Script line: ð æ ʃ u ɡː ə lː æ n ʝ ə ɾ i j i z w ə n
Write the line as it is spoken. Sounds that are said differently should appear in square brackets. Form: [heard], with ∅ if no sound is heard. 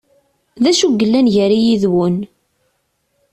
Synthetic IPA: ð æ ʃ u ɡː ə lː æ n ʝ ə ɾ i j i [ð] w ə n